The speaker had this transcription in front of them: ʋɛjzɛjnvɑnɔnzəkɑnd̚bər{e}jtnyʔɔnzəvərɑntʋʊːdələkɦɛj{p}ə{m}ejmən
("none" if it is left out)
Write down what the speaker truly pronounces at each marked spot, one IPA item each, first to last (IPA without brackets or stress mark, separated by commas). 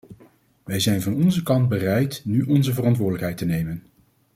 ɛ, t, n